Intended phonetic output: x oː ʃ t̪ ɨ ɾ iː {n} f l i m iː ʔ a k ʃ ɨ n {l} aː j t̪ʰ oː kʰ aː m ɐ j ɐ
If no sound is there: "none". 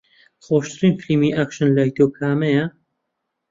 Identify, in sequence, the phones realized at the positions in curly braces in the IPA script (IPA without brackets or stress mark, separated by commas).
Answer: n, l